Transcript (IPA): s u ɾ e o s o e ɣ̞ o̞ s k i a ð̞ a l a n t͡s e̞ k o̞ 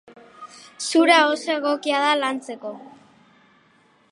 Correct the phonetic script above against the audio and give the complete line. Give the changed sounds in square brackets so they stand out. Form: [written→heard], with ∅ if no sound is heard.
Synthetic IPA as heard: s u ɾ [e→a] o s o e ɣ̞ o̞ [s→∅] k i a ð̞ a l a n t͡s e̞ k o̞

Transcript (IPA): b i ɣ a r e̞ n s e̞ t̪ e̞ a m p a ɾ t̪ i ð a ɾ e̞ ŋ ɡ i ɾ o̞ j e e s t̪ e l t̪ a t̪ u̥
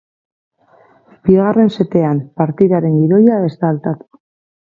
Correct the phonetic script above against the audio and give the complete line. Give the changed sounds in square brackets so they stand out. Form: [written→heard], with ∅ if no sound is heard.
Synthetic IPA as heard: b i ɣ a r e̞ n s e̞ t̪ e̞ a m p a ɾ t̪ i ð a ɾ e̞ ŋ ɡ i ɾ o̞ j [e→a] e s t̪ [e→a] l t̪ a t̪ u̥

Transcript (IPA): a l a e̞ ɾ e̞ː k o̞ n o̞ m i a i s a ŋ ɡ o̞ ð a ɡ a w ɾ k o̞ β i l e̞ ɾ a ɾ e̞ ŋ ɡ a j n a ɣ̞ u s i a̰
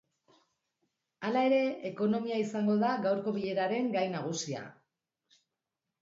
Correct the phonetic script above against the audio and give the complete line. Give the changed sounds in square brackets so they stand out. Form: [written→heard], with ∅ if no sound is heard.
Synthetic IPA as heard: a l a e̞ ɾ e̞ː k o̞ n o̞ m i a i s a ŋ ɡ o̞ ð a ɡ a w ɾ k o̞ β i [l→ʎ] e̞ ɾ a ɾ e̞ ŋ ɡ a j n a ɣ̞ u s i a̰

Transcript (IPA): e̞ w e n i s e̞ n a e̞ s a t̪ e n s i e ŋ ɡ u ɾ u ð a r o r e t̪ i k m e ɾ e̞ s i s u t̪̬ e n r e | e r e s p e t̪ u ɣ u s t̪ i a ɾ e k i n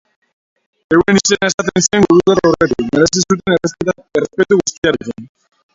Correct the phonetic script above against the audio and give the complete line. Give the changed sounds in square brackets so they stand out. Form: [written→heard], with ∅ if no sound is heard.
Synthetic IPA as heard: e̞ w e n i s e̞ n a e̞ s a t̪ e n s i e ŋ ɡ u ɾ u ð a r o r e t̪ i k m e ɾ e̞ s i s u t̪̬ e n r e | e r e s p e t̪ u ɣ u s t̪ i a ɾ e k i n

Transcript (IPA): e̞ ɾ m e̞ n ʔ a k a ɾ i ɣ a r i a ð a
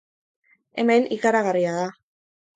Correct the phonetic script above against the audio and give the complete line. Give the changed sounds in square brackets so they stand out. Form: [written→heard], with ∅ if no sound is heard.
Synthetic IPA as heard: e̞ [ɾ→∅] m e̞ n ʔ [a→i] k a ɾ [i→a] ɣ a r i a ð a

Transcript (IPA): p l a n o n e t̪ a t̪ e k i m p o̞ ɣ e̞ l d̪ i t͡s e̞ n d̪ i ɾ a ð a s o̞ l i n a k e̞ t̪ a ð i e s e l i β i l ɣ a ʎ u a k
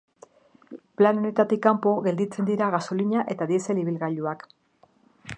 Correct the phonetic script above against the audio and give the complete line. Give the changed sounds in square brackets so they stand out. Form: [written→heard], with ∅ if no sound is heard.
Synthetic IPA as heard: p l a n o n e t̪ a t̪ [e→i] k [i→a] m p o̞ ɣ e̞ l d̪ i t͡s e̞ n d̪ i ɾ a [ð→ɣ] a s o̞ l i [n→ɲ] a [k→ʔ] e̞ t̪ a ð i e s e l i β i l ɣ a ʎ u a k

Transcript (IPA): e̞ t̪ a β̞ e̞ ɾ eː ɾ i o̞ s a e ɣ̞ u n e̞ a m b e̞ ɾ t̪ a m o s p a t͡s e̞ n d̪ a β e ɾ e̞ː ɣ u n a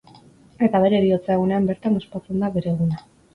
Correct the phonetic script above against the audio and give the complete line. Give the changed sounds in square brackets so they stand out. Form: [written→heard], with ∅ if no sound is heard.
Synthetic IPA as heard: e̞ t̪ a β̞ e̞ ɾ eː ɾ i o̞ [s→t͡s] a e ɣ̞ u n e̞ a m b e̞ ɾ t̪ a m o s p a t͡s e̞ n d̪ a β e ɾ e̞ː ɣ u n a

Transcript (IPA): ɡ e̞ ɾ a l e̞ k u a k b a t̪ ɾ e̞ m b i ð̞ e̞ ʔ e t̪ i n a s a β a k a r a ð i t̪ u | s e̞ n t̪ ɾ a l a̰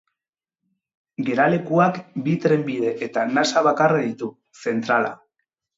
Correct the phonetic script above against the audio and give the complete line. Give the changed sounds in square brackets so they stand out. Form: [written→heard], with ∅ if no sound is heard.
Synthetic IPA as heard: ɡ e̞ ɾ a l e̞ k u a k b [a→i] t̪ ɾ e̞ m b i ð̞ e̞ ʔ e t̪ [i→a] n a s a β a k a r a ð i t̪ u | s e̞ n t̪ ɾ a l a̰

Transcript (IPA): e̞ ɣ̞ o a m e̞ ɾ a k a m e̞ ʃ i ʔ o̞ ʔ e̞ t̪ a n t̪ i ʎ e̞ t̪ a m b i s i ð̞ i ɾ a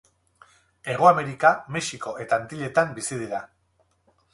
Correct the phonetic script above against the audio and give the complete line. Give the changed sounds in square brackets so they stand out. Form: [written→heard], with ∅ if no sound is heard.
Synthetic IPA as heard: e̞ ɣ̞ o a m e̞ ɾ [a→i] k a m e̞ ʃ i [ʔ→k] o̞ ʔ e̞ t̪ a n t̪ i ʎ e̞ t̪ a m b i s i ð̞ i ɾ a

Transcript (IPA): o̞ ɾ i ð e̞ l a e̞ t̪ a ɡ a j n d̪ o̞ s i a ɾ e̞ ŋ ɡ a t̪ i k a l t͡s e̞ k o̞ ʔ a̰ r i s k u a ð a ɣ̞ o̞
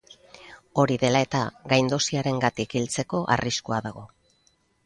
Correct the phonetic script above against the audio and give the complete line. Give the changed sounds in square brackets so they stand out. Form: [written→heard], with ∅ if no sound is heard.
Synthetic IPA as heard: o̞ ɾ i ð e̞ l a e̞ t̪ a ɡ a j n d̪ o̞ s i a ɾ e̞ ŋ ɡ a t̪ i k [a→i] l t͡s e̞ k o̞ ʔ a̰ r i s k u a ð a ɣ̞ o̞

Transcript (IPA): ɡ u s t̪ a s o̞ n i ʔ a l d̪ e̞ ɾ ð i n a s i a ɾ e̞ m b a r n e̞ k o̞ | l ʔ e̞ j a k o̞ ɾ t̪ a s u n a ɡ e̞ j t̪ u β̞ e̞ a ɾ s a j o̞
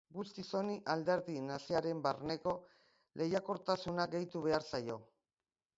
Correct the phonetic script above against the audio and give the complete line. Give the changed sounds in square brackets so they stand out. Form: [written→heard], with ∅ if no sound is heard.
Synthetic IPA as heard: ɡ u s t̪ [a→i] s o̞ n i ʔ a l d̪ e̞ ɾ ð i n a s i a ɾ e̞ m b a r n e̞ k o̞ | l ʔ e̞ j a k o̞ ɾ t̪ a s u n a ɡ e̞ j t̪ u β̞ e̞ a ɾ s a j o̞

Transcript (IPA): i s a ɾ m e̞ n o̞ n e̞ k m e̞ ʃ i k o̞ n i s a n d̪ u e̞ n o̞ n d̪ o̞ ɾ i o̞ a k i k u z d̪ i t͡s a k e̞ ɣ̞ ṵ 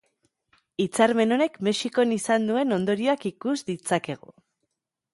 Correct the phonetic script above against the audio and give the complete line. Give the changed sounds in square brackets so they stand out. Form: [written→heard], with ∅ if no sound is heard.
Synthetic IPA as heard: i [s→t͡s] a ɾ m e̞ n o̞ n e̞ k m e̞ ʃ i k o̞ n i s a n d̪ u e̞ n o̞ n d̪ o̞ ɾ i o̞ a k i k u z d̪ i t͡s a k e̞ ɣ̞ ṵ

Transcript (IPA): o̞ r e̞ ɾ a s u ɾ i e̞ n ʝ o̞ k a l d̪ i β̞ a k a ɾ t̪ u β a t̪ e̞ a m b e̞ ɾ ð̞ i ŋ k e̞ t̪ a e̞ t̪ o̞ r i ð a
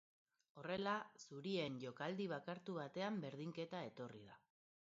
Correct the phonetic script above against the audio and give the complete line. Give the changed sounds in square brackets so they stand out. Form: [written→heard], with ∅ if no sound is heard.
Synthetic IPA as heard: o̞ r e̞ [ɾ→l] a s u ɾ i e̞ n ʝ o̞ k a l d̪ i β̞ a k a ɾ t̪ u β a t̪ e̞ a m b e̞ ɾ ð̞ i ŋ k e̞ t̪ a e̞ t̪ o̞ r i ð a

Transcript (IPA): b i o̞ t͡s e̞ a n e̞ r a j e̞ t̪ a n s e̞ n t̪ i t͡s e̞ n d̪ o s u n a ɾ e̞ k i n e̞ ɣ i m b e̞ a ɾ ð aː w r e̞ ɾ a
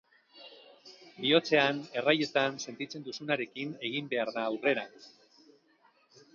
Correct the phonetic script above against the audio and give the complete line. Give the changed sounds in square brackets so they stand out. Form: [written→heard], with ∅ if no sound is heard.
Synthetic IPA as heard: b i o̞ t͡s e̞ a n e̞ r a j e̞ t̪ a n s e̞ n t̪ i t͡s e̞ n d̪ [o→u] s u n a ɾ e̞ k i n e̞ ɣ i m b e̞ a ɾ ð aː w r e̞ ɾ a

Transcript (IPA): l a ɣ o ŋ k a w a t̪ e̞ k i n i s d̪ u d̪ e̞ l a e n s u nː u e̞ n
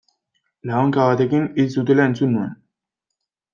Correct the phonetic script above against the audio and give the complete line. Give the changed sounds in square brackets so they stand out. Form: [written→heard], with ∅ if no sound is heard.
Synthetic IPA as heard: l a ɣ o ŋ k a [w→β] a t̪ e̞ k i n i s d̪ u [d̪→t̪] e̞ l a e n [s→t͡s] u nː u e̞ n

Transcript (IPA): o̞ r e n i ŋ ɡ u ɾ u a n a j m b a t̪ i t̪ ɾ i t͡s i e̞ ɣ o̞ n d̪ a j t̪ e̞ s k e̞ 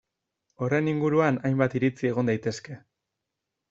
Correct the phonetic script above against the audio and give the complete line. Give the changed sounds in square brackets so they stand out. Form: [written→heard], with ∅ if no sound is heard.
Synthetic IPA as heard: o̞ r e n i ŋ ɡ u ɾ u a n a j m b a t̪ i [t̪→∅] ɾ i t͡s i e̞ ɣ o̞ n d̪ a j t̪ e̞ s k e̞

